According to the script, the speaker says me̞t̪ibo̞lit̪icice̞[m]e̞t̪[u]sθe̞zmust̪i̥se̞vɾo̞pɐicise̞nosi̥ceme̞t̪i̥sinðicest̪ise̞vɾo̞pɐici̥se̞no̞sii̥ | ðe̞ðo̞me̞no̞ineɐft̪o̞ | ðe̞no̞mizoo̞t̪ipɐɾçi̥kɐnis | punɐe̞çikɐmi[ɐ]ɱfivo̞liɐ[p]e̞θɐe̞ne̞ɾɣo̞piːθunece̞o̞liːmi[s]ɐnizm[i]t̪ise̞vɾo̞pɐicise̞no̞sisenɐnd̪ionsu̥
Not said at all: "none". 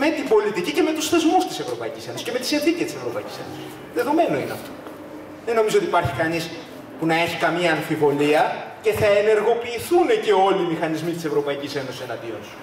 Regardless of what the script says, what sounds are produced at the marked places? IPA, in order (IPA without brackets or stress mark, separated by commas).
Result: m, u, ɐː, c, x, i